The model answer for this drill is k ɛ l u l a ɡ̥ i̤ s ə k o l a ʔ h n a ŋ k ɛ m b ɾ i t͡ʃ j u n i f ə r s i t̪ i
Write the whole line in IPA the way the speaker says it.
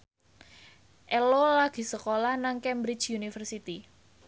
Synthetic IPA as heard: ʔ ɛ l o l a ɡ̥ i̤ s ə k o l a h n a ŋ k ɛ m b ɾ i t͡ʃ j u n i f ə r s i t̪ i